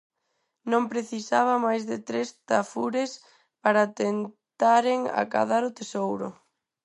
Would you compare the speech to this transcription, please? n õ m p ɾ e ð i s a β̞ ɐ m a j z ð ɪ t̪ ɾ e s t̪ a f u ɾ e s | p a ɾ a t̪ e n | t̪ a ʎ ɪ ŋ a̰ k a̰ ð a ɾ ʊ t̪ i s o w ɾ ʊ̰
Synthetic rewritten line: n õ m p ɾ e θ i s a β̞ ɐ m a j z ð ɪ t̪ ɾ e s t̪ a f u ɾ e s | p a ɾ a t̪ e n | t̪ a ɾ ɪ ŋ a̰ k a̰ ð a ɾ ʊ t̪ e s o w ɾ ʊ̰

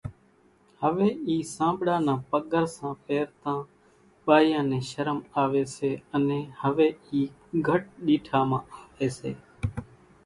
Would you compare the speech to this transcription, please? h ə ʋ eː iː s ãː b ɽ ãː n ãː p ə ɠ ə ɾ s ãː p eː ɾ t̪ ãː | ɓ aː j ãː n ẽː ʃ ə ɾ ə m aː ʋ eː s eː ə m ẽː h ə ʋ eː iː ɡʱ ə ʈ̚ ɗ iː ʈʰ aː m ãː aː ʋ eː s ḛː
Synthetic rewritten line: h ə ʋ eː iː s ãː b ɽ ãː n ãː p ə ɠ ə ɾ s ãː p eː ɾ t̪ ãː | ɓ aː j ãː n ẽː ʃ ə ɾ ə m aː ʋ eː s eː ə n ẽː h ə ʋ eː iː ɡʱ ə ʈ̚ ɗ iː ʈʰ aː m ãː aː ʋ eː s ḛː

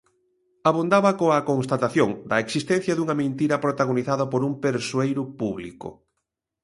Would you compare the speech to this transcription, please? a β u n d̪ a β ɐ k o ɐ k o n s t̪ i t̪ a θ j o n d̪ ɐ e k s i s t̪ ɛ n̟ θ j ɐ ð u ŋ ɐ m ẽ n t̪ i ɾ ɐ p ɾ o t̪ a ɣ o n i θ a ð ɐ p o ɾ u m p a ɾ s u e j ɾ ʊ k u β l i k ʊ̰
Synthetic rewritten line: a β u n d̪ a β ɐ k o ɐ k o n s t̪ a t̪ a θ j o ŋ d̪ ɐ e k s i s t̪ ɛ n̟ θ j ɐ ð u ŋ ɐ m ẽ n t̪ i ɾ ɐ p ɾ o t̪ a ɣ o n i θ a ð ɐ p o ɾ u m p e ɾ s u e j ɾ ʊ p u β l i k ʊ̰

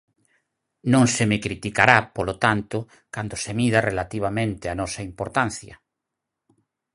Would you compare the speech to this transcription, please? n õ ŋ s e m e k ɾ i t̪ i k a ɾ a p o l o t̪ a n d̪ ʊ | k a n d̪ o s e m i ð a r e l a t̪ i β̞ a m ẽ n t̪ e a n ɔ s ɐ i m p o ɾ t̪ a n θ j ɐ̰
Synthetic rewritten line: n õ ŋ s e m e k ɾ i t̪ i k a ɾ a p o l o t̪ a n t̪ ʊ | k a n d̪ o s e m i ð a r e l a t̪ i β̞ a m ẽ n t̪ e a n ɔ s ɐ i m p o ɾ t̪ a n θ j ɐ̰

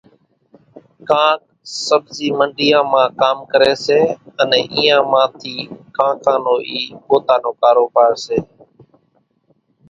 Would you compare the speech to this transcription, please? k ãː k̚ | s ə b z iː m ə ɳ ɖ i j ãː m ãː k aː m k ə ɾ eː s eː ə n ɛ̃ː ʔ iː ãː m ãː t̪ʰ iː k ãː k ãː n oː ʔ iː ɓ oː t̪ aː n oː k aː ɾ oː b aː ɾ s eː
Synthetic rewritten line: k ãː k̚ | s ə b z iː m ə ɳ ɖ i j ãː m ãː k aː m k ə ɾ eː s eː ə n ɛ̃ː ʔ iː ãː m ãː t̪ʰ iː k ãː k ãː n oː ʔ iː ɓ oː t̪ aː n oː k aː ɾ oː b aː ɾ s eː

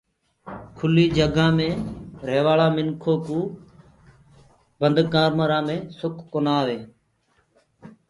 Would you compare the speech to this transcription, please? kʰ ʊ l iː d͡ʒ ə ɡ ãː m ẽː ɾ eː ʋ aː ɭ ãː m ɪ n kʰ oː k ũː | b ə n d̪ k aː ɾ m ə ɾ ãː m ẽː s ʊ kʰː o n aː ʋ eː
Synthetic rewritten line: kʰ ʊ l iː d͡ʒ ə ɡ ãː m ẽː ɾ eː ʋ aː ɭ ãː m ɪ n kʰ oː k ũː | b ə n d̪ k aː ɾ m ə ɾ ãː m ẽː s ʊ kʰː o n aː ʋ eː

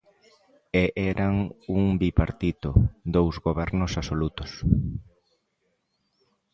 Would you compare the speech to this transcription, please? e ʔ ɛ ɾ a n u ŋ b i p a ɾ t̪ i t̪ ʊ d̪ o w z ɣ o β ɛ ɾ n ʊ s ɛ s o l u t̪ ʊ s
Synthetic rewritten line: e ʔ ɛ ɾ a ŋ u ŋ b i p a ɾ t̪ i t̪ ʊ d̪ o w z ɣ o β ɛ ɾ n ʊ s a s o l u t̪ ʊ s

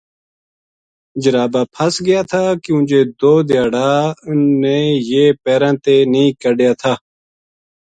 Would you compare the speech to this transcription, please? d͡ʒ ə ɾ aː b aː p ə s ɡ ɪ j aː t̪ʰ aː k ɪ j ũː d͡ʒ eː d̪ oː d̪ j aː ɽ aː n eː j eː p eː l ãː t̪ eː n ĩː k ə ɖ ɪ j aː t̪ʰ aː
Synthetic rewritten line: d͡ʒ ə ɾ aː b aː pʰ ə s ɡ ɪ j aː t̪ʰ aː k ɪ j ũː d͡ʒ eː d̪ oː d̪ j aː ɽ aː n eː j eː p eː ɾ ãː t̪ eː n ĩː k ə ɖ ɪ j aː t̪ʰ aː

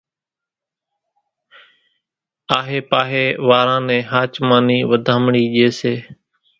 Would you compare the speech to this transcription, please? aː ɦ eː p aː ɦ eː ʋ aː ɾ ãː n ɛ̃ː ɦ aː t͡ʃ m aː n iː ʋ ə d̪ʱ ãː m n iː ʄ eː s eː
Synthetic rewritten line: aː ɦ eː p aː ɦ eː ʋ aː ɾ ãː n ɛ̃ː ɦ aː t͡ʃ m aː n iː ʋ ə d̪ʱ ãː m ɳ iː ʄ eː s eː

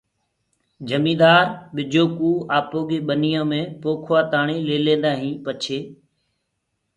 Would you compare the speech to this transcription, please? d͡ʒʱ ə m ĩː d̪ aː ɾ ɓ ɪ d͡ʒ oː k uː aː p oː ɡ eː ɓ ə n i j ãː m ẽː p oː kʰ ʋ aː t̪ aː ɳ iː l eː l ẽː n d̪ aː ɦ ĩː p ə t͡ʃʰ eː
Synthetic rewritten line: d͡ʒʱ ə m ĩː d̪ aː ɾ ɓ ɪ d͡ʒ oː k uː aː p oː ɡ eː ɓ ə n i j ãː m ẽː p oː kʰ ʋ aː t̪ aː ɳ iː l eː l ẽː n d̪ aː ɦ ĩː p ə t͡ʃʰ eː

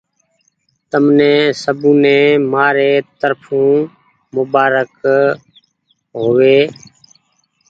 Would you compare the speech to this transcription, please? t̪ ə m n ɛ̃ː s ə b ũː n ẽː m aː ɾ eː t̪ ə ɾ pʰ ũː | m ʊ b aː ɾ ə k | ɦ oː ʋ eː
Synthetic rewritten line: t̪ ə m n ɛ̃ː s ə b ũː n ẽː m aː ɾ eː t̪ ə ɾ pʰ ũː | m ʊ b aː ɾ ə k | ɦ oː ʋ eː

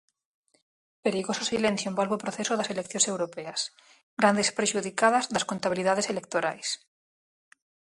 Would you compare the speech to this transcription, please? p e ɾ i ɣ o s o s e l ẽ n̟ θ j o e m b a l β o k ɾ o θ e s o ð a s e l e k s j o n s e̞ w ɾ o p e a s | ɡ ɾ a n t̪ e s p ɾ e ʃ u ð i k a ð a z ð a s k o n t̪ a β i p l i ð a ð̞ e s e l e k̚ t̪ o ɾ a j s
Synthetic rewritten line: p e ɾ i ɣ o s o s i l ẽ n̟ θ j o e m b a l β o p ɾ o θ e s o ð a s e l e k θ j o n s e̞ w ɾ o p e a s | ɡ ɾ a n d̪ e s p ɾ e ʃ u ð i k a ð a z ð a s k o n t̪ a β i l i ð a ð̞ e s e l e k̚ t̪ o ɾ a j s

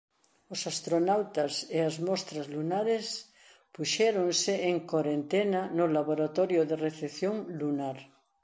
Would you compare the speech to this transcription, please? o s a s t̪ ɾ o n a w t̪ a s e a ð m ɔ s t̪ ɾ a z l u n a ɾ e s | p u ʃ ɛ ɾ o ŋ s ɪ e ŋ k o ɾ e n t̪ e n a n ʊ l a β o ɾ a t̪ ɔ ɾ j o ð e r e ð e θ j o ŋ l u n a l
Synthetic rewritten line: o s a s t̪ ɾ o n a w t̪ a s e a z m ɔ s t̪ ɾ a z l u n a ɾ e s | p u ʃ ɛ ɾ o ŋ s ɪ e ŋ k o ɾ e n t̪ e n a n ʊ l a β o ɾ a t̪ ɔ ɾ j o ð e r e θ e θ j o ŋ l u n a ɾ

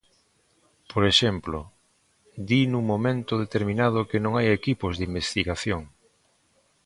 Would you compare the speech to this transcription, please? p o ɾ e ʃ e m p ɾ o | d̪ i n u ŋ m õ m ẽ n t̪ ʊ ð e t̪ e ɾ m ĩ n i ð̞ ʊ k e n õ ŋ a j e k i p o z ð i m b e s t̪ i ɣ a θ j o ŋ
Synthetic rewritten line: p o ɾ e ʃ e m p l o | d̪ i n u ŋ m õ m ẽ n t̪ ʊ ð e t̪ e ɾ m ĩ n a ð̞ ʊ k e n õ ŋ a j e k i p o z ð i m b e s t̪ i ɣ a θ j o ŋ

